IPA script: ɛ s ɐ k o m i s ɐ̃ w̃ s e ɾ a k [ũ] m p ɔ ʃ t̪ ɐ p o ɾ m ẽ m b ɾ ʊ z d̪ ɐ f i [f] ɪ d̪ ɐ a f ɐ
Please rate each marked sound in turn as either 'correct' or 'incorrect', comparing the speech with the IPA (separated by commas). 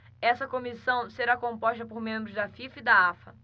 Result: incorrect, correct